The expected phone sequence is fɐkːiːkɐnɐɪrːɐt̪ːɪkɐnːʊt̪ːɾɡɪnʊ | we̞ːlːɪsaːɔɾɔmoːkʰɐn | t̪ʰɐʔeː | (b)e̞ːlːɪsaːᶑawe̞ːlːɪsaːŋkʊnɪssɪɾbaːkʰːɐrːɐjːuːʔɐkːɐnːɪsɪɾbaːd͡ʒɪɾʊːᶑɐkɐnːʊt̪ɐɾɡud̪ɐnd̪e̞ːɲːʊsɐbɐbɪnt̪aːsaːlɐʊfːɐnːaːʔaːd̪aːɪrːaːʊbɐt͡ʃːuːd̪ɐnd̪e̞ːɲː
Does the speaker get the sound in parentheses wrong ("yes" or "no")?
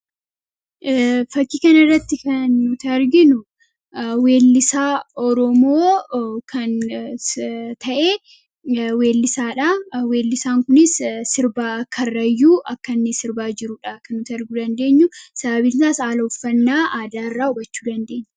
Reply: yes